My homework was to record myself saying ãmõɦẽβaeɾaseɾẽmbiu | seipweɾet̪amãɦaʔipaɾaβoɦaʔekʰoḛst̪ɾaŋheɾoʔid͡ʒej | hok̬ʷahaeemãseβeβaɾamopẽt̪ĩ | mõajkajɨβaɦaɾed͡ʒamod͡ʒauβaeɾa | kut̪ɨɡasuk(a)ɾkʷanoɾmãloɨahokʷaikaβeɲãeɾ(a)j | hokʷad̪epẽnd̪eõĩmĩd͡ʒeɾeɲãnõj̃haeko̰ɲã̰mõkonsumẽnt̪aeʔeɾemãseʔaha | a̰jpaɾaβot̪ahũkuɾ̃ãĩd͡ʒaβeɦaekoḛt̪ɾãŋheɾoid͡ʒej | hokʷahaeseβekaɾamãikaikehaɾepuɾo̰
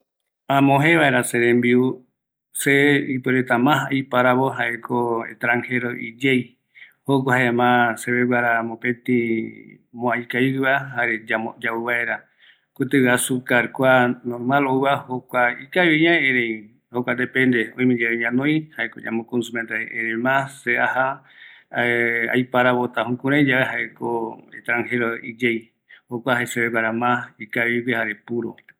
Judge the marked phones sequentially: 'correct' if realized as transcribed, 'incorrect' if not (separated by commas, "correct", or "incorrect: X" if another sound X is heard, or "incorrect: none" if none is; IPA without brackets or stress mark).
correct, incorrect: e